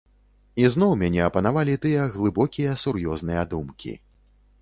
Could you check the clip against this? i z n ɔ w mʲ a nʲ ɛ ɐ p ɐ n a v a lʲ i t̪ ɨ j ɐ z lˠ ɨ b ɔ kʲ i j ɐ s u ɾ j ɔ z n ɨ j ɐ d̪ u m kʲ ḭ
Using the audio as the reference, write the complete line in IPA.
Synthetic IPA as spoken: i z n ɔ w mʲ a nʲ ɛ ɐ p ɐ n a v a lʲ i t̪ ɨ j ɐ ɣ lˠ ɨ b ɔ kʲ i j ɐ s u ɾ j ɔ z n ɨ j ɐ d̪ u m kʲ ḭ